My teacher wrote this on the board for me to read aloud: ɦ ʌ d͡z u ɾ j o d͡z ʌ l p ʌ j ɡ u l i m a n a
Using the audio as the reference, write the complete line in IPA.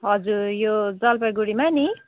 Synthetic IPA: ɦ ʌ d͡z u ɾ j o d͡z ʌ l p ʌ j ɡ u ɽ i m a n i